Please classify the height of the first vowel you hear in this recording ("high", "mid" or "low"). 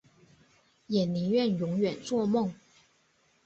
mid